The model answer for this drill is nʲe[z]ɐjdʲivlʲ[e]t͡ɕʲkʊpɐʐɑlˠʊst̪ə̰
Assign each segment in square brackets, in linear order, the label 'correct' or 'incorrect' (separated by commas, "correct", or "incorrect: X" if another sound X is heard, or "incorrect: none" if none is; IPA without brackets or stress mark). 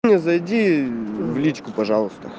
correct, incorrect: i